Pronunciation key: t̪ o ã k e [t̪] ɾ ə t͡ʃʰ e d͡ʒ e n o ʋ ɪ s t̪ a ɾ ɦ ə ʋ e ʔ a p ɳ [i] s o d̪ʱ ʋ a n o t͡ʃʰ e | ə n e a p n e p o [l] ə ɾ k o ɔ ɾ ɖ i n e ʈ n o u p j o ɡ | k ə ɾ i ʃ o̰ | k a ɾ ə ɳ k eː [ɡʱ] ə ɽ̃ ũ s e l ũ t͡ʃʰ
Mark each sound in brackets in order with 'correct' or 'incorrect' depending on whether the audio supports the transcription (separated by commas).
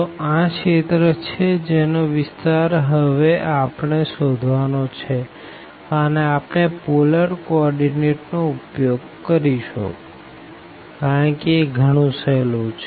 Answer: correct, incorrect, correct, correct